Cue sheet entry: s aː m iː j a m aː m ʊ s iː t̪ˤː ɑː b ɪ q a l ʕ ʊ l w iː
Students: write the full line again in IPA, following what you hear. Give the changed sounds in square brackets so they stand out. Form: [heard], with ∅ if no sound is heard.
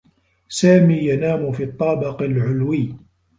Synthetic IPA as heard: s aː m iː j a [n] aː m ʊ [f] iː t̪ˤː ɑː b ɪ q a l ʕ ʊ l w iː